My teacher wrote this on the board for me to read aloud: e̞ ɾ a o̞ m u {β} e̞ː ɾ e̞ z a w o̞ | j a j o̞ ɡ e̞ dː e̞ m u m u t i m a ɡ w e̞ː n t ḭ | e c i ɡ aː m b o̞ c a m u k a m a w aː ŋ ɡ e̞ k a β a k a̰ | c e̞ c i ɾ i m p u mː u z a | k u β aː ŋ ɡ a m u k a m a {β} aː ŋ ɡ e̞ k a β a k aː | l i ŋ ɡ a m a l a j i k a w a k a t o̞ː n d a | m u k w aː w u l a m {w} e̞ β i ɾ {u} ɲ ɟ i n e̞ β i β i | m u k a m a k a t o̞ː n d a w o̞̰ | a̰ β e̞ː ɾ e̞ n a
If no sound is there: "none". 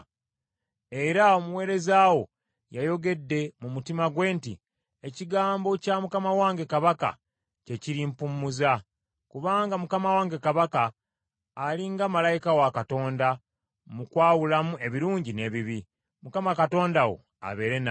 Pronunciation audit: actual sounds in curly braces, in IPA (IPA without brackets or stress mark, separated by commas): w, w, u, uː